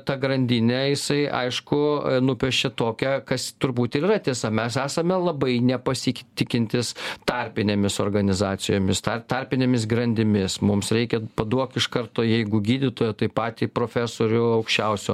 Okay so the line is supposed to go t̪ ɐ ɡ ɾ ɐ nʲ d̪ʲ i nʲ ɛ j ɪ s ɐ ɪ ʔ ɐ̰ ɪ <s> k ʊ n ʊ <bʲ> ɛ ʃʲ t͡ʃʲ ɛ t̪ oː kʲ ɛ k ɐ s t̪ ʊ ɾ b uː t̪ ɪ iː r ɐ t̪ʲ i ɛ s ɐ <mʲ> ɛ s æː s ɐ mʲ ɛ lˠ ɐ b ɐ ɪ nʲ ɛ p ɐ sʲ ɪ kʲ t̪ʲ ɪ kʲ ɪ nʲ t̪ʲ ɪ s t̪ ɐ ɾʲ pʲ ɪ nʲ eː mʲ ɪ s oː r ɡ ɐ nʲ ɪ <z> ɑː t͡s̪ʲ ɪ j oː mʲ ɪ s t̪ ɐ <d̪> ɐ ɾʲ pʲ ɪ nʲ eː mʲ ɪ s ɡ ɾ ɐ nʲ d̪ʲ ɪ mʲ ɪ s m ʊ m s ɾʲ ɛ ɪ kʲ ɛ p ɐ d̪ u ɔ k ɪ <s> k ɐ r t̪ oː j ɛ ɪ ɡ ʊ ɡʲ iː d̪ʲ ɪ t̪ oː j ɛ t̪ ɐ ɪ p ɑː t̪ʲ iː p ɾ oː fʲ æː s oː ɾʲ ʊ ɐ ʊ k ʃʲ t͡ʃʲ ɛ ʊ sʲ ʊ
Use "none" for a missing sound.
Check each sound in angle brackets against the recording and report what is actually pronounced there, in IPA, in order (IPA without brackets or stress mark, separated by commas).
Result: ʃ, pʲ, mʲ, z, t̪, ʃ